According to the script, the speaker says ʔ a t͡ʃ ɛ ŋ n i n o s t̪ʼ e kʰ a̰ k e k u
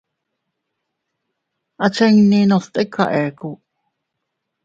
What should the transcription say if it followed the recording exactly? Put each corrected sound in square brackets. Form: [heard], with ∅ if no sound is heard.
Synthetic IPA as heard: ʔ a t͡ʃ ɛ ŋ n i n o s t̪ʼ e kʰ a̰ [ʔ] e k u

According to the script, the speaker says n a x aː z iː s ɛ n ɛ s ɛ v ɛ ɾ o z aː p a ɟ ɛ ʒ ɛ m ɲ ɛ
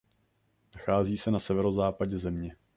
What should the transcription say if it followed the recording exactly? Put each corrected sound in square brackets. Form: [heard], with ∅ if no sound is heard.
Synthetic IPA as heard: n a x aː z iː s ɛ n [a] s ɛ v ɛ ɾ o z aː p a ɟ ɛ [z] ɛ m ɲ ɛ

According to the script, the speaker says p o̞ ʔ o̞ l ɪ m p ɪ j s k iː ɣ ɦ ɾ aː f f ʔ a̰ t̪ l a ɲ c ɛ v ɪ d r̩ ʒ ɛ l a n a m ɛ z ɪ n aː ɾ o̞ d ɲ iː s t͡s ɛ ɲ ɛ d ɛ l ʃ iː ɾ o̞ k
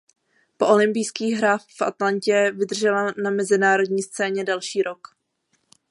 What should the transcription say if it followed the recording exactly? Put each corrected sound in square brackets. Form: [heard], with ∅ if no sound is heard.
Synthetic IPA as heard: p o̞ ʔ o̞ l ɪ m p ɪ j s k iː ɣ ɦ ɾ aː f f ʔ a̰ t̪ l a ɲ c ɛ v ɪ d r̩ ʒ ɛ l a n a m ɛ z ɪ n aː ɾ o̞ d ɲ iː s t͡s [ɛː] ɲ ɛ d ɛ l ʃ iː ɾ o̞ k

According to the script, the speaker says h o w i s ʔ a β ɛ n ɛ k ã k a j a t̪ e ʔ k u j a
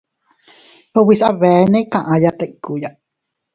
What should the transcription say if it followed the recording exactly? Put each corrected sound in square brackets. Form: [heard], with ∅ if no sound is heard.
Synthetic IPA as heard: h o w i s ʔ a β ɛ n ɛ k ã [ʔ] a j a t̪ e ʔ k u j a

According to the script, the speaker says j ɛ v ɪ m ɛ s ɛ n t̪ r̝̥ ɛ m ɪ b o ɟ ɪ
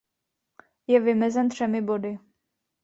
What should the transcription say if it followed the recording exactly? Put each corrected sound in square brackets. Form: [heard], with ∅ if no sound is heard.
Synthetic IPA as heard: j ɛ v ɪ m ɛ [z] ɛ n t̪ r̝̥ ɛ m ɪ b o [d] ɪ

